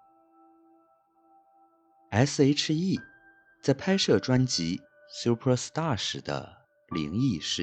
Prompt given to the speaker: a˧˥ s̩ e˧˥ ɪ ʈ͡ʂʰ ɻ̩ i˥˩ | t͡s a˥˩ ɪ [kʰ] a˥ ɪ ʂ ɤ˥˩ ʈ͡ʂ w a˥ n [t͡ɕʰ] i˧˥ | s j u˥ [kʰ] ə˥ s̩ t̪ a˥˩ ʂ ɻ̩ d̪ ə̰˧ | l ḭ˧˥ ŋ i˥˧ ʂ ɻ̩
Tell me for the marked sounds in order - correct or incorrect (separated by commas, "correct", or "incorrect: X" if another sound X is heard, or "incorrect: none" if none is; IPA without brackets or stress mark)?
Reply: incorrect: pʰ, incorrect: t͡ɕ, incorrect: pʰ